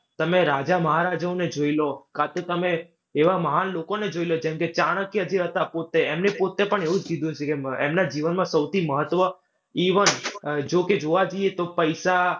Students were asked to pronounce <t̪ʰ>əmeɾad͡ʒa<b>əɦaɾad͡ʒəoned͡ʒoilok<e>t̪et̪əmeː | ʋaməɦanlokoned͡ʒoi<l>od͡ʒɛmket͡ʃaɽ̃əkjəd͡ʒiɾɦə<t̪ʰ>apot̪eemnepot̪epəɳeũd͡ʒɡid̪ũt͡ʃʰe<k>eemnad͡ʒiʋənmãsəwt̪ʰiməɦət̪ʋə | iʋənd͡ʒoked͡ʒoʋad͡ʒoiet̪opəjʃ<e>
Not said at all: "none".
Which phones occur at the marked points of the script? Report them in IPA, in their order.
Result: t̪, m, a, l, t̪, k, a

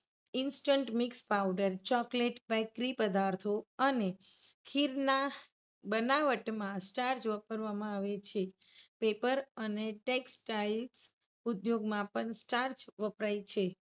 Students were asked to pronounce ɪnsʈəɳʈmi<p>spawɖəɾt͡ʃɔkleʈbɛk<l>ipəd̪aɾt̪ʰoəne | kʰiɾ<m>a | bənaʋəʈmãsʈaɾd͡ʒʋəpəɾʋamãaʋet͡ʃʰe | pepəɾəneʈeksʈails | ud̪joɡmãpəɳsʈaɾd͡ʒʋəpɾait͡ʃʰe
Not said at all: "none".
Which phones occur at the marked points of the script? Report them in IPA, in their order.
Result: k, ɾ, n

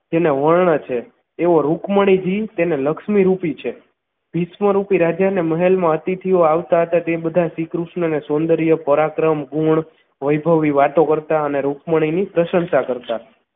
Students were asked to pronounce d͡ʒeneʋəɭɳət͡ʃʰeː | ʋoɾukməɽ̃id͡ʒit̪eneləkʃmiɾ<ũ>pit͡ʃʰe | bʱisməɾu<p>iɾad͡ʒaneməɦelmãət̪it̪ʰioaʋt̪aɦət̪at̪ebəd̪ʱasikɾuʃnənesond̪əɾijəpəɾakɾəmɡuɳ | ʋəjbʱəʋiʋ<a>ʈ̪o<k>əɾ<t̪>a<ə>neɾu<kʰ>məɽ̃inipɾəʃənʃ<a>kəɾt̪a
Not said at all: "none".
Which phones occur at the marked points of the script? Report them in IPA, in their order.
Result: u, p, a, k, t̪, ə, k, a

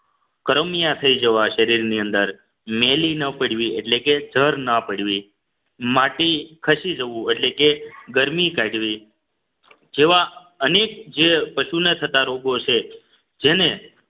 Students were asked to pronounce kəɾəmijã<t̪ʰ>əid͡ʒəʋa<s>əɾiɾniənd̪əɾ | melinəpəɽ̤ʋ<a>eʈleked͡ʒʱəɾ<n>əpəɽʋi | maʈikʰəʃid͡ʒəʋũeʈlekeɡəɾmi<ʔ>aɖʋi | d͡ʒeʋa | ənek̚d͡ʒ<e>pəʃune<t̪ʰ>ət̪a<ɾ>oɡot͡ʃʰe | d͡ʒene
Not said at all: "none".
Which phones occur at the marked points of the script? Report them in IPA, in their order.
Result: t̪ʰ, ʃ, i, n, k, e, t̪ʰ, ɾ

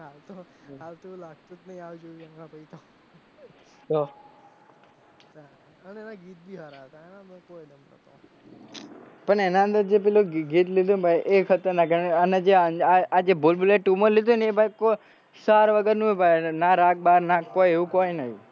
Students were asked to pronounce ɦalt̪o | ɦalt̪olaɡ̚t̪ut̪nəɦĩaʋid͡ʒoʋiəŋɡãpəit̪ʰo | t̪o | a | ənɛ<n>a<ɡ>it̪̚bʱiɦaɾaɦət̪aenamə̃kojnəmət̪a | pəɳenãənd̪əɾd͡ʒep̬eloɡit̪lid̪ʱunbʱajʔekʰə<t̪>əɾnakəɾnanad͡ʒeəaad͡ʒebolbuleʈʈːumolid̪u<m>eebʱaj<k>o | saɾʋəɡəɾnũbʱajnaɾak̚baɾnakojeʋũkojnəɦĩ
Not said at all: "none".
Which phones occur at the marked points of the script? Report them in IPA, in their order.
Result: n, ɡ, t̪, n, k

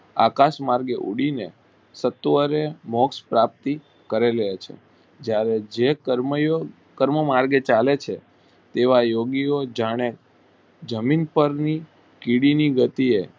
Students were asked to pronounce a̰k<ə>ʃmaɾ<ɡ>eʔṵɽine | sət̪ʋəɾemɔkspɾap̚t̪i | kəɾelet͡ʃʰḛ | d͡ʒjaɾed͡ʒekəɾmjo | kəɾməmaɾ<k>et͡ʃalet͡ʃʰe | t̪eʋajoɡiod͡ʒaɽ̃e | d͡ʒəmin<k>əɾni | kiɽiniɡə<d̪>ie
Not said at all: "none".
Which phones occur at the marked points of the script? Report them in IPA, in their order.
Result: a, ɡ, ɡ, p, t̪

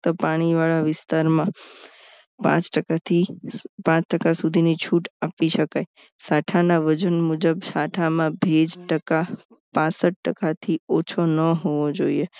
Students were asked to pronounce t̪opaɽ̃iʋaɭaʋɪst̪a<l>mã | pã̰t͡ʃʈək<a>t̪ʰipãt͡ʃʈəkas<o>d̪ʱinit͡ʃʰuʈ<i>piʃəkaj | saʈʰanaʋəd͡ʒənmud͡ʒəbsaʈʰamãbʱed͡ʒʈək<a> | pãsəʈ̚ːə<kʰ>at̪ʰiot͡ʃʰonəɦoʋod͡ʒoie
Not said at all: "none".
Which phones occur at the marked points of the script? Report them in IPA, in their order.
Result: ɾ, a, u, a, a, k

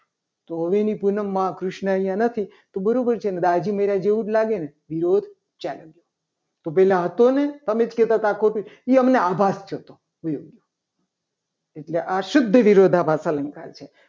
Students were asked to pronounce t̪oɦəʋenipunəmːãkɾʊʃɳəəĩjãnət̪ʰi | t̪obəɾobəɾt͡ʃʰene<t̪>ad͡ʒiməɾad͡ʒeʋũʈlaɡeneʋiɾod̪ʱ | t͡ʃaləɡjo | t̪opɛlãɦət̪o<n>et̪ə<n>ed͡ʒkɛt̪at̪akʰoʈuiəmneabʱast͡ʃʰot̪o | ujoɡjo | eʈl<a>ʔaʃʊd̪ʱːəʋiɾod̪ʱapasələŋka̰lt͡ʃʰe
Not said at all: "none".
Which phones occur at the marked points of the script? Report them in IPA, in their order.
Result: d̪, n, m, e

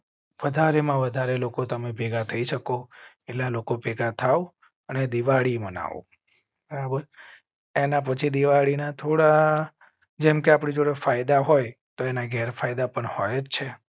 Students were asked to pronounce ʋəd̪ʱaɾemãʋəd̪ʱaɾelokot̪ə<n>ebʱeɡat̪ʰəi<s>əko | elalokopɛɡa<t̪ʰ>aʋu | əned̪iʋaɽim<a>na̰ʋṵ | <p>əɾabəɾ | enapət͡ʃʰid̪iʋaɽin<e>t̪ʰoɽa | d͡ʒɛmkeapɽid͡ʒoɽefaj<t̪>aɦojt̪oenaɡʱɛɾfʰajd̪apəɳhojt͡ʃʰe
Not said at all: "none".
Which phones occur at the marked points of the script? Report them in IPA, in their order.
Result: m, ʃ, t̪ʰ, ə, b, a, d̪

